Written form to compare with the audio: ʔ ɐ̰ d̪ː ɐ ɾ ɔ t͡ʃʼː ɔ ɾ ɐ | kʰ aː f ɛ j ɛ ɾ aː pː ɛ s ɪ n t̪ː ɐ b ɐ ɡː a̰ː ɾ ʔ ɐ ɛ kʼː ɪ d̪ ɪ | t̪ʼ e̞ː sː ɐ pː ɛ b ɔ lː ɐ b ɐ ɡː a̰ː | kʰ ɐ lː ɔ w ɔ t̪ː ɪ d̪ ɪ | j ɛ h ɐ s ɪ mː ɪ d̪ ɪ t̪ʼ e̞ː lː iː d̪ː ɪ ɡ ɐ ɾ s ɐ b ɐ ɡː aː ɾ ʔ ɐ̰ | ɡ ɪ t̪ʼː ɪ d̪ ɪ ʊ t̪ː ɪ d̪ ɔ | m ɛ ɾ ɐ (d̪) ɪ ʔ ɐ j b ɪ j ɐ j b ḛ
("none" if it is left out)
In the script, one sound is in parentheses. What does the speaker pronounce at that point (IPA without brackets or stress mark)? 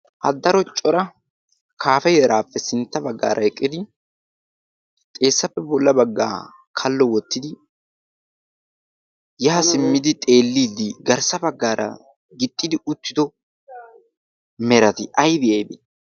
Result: t̪